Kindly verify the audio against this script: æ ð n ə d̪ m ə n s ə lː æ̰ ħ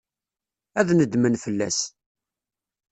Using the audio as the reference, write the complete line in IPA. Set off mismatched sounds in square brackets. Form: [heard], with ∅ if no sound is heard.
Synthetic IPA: æ ð n ə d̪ m ə n [f] ə lː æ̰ [s]